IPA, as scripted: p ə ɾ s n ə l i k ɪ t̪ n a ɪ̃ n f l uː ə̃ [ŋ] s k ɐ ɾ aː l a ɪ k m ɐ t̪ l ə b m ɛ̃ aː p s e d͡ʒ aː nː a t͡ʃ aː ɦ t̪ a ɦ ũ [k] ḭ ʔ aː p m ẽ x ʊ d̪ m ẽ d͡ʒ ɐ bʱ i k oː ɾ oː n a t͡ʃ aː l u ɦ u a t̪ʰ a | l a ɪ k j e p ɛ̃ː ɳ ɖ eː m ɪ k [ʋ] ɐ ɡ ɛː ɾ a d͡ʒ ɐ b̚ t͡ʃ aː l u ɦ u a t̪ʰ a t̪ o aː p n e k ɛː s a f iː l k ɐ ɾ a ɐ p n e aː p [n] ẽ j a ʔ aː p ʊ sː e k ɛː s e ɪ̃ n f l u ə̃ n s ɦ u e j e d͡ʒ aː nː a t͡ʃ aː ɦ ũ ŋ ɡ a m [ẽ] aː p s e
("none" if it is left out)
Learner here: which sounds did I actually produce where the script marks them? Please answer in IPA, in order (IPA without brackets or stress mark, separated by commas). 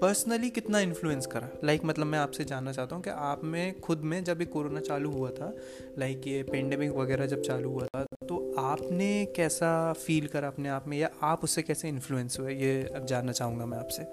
n, k, ʋ, m, ɛ̃